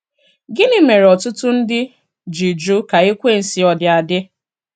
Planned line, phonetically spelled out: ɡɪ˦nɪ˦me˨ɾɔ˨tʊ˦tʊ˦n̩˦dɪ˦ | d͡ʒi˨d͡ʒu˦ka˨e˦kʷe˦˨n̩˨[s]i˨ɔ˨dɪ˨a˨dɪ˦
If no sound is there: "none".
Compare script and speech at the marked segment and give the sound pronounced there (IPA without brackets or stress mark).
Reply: s